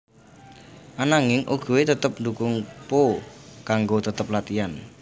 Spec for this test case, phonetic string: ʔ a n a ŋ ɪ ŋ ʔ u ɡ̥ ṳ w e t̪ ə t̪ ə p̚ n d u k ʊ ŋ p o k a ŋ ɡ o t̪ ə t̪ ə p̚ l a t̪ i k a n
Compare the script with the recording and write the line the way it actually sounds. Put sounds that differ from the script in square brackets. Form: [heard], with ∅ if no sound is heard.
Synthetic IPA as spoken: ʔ a n a ŋ ɪ ŋ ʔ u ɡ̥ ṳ w e t̪ ə t̪ ə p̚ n d u k ʊ ŋ p o k a ŋ ɡ o t̪ ə t̪ ə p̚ l a t̪ i [∅] a n